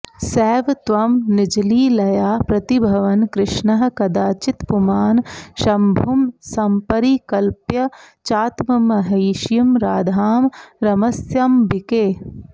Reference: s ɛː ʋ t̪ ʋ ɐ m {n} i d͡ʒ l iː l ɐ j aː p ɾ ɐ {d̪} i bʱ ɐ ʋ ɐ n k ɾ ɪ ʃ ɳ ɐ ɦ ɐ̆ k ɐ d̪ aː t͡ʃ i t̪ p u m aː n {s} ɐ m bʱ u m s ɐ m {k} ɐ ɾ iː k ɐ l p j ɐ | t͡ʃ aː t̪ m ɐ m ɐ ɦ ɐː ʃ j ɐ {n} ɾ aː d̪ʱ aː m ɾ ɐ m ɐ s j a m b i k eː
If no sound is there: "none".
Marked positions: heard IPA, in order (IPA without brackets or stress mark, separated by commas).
n, t̪, ʃ, p, m